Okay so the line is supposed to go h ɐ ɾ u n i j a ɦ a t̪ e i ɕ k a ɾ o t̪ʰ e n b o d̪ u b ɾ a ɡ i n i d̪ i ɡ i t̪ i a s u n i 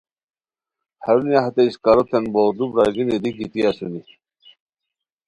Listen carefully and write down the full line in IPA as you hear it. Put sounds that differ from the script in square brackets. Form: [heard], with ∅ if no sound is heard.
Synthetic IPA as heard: h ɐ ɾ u n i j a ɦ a t̪ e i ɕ k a ɾ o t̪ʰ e n b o d̪ u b ɾ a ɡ i n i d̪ i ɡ i t̪ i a s u n i